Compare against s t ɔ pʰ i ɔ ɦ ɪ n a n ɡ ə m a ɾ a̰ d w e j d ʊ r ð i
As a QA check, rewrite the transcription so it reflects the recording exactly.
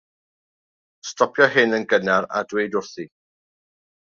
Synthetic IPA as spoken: s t ɔ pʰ j ɔ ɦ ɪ n ə n ɡ ə n a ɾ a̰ d w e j d ʊ r θ i